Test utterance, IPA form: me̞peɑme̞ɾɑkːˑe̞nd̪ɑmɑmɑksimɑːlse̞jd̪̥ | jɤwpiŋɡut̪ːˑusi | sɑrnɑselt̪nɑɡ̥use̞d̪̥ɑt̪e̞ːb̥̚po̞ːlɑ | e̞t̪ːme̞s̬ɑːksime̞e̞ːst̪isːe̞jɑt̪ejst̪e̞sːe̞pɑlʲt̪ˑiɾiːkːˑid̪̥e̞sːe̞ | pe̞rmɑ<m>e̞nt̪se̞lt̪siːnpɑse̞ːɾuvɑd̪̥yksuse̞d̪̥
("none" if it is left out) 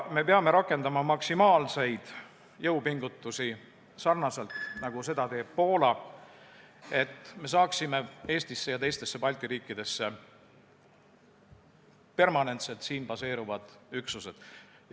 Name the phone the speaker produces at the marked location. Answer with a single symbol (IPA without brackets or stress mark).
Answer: n